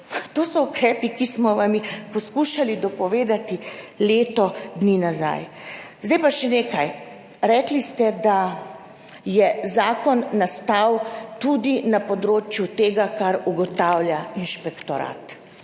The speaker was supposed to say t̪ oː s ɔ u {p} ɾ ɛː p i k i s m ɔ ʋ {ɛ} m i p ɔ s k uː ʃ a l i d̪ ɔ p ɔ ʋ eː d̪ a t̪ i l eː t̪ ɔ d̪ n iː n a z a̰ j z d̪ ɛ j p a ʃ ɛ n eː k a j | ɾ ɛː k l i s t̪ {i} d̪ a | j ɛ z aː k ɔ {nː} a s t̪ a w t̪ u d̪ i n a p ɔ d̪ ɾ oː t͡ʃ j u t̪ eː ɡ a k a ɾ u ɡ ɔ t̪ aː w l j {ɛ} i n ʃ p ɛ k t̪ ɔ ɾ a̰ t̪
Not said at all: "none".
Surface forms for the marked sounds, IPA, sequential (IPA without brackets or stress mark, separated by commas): k, a, ɛ, nː, a